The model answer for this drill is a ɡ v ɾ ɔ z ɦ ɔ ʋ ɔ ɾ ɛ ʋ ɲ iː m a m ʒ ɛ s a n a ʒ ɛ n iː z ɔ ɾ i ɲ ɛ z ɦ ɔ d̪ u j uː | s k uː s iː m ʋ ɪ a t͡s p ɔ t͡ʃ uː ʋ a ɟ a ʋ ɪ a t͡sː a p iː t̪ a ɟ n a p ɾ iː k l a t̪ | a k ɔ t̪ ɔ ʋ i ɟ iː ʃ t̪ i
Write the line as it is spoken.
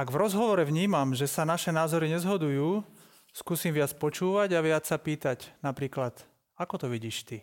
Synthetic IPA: a ɡ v ɾ ɔ z ɦ ɔ ʋ ɔ ɾ ɛ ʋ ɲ iː m a m ʒ ɛ s a n a ʃ ɛ n aː z ɔ ɾ i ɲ ɛ z ɦ ɔ d̪ u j uː | s k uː s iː m ʋ ɪ a t͡s p ɔ t͡ʃ uː ʋ a ɟ a ʋ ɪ a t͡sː a p iː t̪ a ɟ n a p ɾ iː k l a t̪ | a k ɔ t̪ ɔ ʋ i ɟ iː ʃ t̪ i